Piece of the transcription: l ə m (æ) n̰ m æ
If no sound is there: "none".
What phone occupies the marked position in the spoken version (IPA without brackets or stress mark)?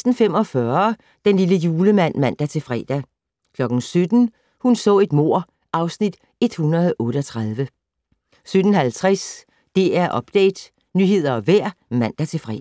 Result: æ